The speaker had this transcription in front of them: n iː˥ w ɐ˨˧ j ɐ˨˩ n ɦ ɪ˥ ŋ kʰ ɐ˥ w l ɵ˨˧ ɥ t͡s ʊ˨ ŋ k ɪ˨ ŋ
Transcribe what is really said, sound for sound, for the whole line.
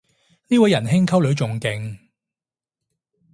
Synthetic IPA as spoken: n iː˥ w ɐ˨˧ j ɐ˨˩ n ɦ ɪ˥ ŋ kʰ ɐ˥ w l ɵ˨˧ ɥ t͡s ʊ˨ ŋ k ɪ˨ ŋ